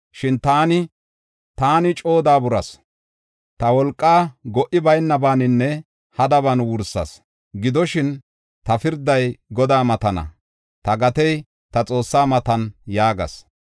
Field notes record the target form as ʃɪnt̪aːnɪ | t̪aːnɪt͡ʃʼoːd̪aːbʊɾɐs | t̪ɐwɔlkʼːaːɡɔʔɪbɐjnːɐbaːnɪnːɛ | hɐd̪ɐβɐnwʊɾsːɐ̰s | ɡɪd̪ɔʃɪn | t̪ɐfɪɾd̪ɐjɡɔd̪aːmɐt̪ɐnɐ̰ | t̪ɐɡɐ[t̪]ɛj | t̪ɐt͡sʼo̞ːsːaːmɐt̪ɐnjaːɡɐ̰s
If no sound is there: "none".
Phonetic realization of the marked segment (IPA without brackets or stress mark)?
t̪